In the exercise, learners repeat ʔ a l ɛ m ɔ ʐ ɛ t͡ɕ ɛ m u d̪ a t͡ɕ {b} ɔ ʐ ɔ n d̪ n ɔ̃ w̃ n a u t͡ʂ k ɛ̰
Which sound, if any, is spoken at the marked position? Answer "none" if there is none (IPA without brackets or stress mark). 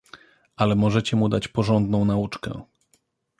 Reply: p